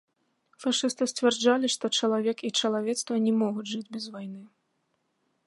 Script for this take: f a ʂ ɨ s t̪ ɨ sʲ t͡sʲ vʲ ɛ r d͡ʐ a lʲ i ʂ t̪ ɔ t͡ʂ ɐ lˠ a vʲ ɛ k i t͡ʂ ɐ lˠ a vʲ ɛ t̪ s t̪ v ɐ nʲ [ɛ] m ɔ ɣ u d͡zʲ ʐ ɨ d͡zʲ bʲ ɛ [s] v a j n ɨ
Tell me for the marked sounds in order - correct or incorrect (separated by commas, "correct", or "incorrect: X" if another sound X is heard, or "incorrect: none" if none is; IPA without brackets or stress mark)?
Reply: correct, incorrect: z